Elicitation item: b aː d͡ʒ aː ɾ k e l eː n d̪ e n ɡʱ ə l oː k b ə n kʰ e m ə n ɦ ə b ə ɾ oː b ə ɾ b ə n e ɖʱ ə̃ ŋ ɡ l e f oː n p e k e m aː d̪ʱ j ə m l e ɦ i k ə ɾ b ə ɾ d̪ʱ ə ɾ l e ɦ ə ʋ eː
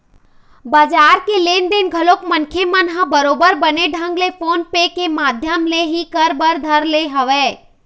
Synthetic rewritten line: b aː d͡ʒ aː ɾ k e l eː n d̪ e n ɡʱ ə l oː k m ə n kʰ e m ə n ɦ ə b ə ɾ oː b ə ɾ b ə n e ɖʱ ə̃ ŋ ɡ l e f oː n p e k e m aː d̪ʱ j ə m l e ɦ i k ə ɾ b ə ɾ d̪ʱ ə ɾ l e ɦ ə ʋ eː